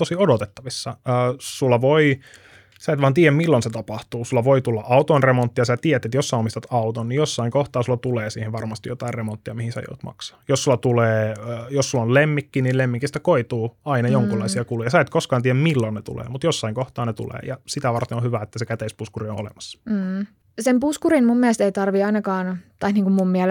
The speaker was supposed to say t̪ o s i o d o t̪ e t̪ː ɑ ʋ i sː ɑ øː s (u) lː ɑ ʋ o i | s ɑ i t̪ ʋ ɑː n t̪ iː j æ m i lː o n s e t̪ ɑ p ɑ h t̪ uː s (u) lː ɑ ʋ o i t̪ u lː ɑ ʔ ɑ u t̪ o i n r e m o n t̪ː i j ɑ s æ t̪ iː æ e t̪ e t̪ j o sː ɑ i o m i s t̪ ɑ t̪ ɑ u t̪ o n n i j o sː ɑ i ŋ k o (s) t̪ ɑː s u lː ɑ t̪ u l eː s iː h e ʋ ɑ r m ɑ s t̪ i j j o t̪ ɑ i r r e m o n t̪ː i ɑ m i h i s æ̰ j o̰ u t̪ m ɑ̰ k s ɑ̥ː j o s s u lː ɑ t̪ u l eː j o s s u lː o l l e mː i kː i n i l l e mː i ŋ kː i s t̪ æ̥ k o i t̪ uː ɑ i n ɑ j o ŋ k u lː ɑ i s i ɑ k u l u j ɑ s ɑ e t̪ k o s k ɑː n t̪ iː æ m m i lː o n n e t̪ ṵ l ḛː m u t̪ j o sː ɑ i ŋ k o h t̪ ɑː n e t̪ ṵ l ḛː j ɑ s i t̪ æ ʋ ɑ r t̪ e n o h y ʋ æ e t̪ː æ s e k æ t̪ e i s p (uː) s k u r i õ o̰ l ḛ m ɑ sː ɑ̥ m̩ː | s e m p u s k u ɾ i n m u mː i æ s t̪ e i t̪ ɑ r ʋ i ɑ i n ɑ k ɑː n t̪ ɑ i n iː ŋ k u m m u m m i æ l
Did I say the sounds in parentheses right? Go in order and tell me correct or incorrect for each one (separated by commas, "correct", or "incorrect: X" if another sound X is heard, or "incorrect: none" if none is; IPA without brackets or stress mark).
correct, correct, incorrect: h, incorrect: u